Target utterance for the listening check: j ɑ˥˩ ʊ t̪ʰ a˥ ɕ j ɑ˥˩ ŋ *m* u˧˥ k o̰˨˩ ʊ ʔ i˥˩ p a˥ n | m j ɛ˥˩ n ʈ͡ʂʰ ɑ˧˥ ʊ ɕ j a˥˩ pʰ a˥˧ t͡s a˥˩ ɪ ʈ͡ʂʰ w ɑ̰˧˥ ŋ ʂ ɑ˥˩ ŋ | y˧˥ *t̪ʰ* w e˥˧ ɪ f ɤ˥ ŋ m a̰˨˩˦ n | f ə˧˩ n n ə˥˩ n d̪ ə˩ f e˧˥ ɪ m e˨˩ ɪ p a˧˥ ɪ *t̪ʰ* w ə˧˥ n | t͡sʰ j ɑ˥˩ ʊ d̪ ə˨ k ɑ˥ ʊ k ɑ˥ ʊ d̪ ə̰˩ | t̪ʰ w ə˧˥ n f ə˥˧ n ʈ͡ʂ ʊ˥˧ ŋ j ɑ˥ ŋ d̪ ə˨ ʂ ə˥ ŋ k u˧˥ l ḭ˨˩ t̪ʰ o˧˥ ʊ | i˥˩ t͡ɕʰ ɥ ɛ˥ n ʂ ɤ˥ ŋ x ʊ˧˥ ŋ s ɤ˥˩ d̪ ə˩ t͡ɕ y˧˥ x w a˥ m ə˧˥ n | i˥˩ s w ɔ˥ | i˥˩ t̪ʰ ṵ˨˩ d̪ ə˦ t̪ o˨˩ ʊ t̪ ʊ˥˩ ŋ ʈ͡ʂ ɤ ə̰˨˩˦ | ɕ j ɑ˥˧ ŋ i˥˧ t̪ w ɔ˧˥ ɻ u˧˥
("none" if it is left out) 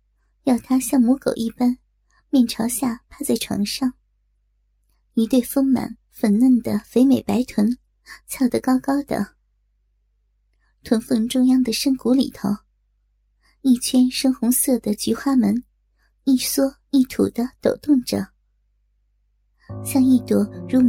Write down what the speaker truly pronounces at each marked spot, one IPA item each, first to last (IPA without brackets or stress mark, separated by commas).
m, t̪, t̪ʰ